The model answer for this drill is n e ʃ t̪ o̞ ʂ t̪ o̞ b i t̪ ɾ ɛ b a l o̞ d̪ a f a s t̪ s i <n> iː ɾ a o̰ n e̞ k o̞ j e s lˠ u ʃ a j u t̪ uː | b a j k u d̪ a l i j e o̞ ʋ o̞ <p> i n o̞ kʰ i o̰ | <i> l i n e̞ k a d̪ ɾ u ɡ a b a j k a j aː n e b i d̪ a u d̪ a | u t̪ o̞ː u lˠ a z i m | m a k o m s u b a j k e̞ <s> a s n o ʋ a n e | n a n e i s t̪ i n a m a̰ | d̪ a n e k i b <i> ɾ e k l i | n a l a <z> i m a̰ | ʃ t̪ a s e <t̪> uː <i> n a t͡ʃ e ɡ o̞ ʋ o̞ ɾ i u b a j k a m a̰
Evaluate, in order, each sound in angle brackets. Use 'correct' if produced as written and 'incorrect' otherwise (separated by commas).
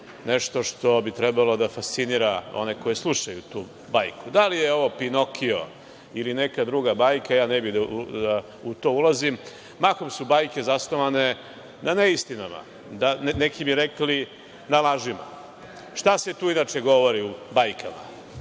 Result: correct, correct, correct, incorrect, correct, incorrect, correct, correct